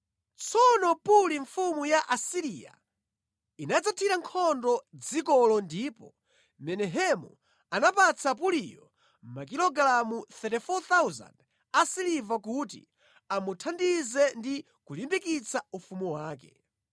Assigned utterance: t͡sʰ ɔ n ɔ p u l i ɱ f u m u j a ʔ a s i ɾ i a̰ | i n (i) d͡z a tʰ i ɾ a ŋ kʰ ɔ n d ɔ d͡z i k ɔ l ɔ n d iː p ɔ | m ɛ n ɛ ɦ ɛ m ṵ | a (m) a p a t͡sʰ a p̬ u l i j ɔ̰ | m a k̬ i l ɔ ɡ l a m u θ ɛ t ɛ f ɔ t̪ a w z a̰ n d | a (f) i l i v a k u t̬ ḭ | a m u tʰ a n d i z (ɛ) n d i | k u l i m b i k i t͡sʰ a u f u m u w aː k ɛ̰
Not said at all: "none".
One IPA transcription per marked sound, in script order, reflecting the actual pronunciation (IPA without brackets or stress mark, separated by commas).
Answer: a, n, s, ɛ